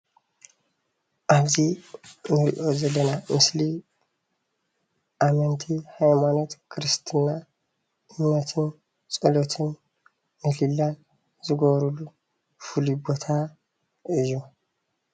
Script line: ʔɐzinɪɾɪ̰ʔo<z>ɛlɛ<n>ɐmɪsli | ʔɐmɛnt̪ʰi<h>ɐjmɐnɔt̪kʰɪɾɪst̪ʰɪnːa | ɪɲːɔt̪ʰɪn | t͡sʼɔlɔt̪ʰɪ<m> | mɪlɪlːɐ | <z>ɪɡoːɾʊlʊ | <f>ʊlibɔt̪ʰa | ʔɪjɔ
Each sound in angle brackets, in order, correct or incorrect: correct, correct, correct, incorrect: n, correct, correct

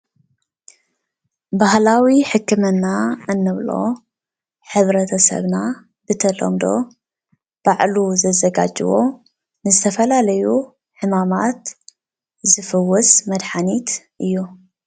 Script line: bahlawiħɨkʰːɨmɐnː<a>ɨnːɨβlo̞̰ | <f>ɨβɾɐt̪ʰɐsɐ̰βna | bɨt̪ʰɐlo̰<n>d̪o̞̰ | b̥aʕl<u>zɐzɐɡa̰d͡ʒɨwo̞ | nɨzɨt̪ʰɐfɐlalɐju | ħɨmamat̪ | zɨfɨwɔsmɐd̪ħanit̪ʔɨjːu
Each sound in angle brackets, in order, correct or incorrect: correct, incorrect: ħ, incorrect: m, correct

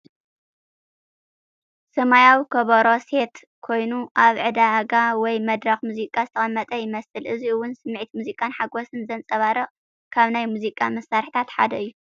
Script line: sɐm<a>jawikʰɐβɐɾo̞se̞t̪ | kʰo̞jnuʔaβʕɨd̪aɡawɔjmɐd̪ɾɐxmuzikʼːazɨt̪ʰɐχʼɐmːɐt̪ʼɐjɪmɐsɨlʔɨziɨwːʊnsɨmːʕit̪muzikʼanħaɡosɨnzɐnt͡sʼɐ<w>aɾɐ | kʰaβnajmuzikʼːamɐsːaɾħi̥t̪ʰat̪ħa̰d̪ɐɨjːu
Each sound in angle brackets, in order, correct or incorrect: correct, incorrect: β

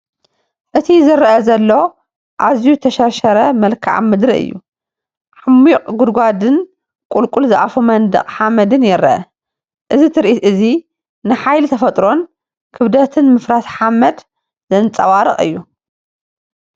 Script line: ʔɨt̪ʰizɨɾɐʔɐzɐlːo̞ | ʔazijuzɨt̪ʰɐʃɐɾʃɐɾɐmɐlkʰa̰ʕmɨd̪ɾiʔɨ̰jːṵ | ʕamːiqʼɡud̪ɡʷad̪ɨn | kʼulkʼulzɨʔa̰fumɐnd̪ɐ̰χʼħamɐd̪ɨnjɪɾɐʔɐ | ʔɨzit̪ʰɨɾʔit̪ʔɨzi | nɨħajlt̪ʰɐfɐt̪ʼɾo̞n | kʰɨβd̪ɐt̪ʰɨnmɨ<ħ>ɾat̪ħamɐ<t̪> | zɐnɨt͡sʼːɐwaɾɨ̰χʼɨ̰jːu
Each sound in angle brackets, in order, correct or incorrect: incorrect: f, incorrect: d̪

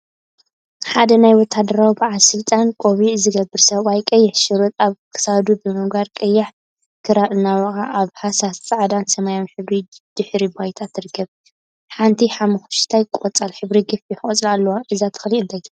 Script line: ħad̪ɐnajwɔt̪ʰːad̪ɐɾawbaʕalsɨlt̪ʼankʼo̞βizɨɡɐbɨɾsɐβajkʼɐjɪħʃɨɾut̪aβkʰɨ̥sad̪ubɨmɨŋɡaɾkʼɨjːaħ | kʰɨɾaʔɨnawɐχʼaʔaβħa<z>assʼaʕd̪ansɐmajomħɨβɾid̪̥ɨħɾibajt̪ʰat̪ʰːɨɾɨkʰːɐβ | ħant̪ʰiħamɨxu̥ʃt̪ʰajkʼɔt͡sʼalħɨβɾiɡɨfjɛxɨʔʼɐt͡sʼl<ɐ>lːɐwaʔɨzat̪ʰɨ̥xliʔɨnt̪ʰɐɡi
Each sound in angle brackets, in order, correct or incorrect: incorrect: s, incorrect: a

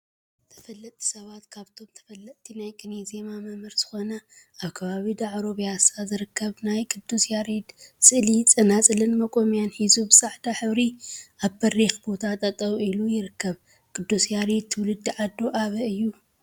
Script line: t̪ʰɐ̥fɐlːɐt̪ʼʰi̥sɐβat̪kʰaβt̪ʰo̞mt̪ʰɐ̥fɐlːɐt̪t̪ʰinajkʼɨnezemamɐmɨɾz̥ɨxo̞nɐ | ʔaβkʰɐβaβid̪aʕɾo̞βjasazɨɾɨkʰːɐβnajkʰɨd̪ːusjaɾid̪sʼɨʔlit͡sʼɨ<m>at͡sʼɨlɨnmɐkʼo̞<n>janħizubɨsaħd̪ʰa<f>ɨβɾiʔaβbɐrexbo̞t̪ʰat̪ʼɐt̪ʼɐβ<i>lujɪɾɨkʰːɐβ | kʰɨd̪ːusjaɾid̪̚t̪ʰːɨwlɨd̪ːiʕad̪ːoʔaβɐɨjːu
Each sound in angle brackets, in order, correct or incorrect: incorrect: n, incorrect: m, incorrect: ħ, correct

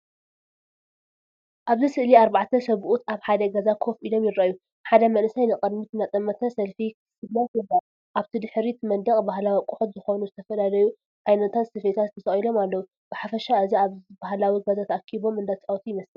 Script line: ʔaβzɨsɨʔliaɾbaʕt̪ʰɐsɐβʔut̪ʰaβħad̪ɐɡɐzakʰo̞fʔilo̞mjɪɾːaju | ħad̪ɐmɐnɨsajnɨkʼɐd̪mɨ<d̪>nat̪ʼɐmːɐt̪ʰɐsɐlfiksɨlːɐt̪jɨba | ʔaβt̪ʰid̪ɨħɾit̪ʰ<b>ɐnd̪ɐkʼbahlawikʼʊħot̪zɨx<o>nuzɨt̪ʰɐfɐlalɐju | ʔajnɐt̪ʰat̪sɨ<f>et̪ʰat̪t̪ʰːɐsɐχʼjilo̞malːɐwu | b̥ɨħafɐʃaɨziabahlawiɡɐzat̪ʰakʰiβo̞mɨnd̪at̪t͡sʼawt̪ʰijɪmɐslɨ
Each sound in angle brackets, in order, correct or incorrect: incorrect: t̪, incorrect: m, correct, correct

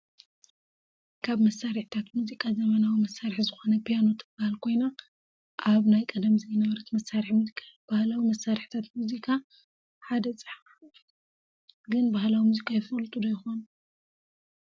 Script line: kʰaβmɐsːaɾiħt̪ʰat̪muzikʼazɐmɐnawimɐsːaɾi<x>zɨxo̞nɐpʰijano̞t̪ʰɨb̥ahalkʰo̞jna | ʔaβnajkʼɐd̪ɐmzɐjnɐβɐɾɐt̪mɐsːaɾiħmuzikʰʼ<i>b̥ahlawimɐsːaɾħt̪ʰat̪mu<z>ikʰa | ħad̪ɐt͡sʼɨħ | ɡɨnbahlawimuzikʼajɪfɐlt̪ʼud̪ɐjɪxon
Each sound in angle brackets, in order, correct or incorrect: incorrect: ħ, incorrect: a, correct

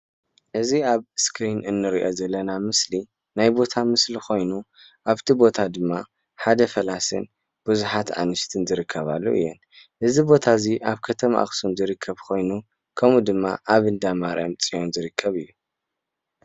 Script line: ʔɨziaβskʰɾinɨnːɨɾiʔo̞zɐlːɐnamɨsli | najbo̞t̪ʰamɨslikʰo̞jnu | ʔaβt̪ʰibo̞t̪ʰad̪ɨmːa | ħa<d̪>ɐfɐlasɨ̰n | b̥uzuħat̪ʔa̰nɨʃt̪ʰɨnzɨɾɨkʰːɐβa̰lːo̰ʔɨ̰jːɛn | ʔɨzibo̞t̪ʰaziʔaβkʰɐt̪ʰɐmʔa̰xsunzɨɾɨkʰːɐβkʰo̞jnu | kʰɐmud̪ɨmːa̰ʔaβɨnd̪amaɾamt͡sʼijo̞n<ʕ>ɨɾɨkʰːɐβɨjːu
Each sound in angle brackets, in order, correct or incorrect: correct, incorrect: z

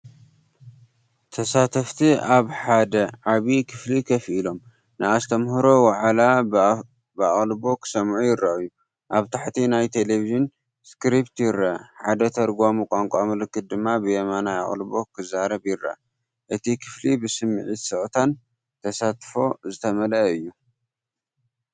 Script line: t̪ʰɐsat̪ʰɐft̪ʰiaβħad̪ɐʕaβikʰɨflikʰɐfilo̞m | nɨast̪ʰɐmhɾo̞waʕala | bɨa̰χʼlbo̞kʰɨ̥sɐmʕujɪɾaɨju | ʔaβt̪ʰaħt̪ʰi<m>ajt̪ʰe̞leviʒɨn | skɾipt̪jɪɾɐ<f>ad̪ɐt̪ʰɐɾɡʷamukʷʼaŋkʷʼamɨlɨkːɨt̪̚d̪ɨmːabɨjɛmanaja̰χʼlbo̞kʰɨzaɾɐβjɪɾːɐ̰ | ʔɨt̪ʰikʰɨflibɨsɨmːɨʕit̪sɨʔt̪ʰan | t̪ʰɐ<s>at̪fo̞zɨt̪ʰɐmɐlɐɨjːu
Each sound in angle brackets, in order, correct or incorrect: incorrect: n, incorrect: ħ, correct

